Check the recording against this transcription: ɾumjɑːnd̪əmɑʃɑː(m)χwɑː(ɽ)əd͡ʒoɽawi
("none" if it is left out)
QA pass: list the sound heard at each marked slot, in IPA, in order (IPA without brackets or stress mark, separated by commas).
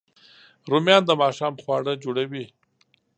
m, ɽ